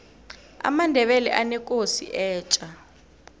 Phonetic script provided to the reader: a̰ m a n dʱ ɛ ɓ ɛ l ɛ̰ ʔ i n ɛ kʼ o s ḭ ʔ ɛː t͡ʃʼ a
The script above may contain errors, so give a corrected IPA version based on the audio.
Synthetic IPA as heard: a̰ m a n dʱ ɛ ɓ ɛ l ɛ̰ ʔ a n ɛ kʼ o s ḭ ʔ ɛː t͡ʃʼ a

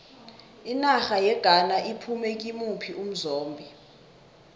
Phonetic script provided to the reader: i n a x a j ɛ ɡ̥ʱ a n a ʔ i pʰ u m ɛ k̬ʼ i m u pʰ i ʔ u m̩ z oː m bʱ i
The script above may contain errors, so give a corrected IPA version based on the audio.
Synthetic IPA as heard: i n a x a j ɛ ɡ̥ʱ a n a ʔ i pʰ u m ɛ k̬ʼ i m u pʰ i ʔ u m̩ z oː m bʱ i

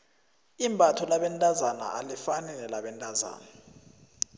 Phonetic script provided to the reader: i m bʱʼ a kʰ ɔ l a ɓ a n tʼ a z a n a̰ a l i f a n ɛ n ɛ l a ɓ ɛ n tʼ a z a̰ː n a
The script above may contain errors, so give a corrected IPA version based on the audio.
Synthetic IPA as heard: i m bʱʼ a tʰ ɔ l a ɓ ɛ n tʼ a z a n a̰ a l i f a n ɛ n ɛ l a ɓ ɛ n tʼ a z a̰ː n a

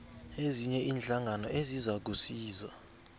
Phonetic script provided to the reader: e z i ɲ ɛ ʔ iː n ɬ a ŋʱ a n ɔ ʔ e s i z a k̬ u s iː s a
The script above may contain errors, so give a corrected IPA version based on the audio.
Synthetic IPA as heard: e z i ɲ ɛ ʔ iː n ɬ a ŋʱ a n ɔ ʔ e z i z a k̬ u s iː z a

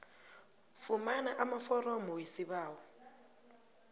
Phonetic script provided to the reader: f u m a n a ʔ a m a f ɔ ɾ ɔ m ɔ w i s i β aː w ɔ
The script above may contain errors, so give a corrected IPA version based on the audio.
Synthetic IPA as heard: f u m a n a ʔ a m a f ɔ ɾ ɔ m ɔ w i s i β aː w ɔ

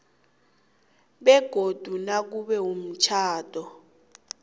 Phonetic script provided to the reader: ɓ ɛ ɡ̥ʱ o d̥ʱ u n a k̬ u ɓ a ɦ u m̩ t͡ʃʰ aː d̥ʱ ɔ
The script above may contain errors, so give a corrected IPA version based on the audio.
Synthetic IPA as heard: ɓ ɛ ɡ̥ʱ o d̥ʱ u n a k̬ u ɓ ɛ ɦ u m̩ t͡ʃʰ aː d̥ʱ ɔ

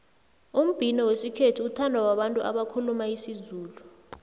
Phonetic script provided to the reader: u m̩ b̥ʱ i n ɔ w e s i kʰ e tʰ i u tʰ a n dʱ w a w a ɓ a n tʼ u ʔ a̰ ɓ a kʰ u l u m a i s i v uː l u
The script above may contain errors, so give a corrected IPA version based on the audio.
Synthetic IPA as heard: u m̩ b̥ʱ i n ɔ w e s i kʰ e tʰ i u tʰ a n dʱ w a w a ɓ a n tʼ u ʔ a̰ ɓ a kʰ u l u m a i s i z uː l u

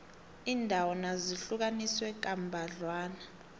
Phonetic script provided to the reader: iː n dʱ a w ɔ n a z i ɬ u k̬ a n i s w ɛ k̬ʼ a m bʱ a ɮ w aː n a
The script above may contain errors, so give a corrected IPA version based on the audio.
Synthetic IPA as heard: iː n dʱ a w ɔ n a z i ɬ u k̬ a n i s w ɛ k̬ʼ a m bʱ a ɮ w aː n a

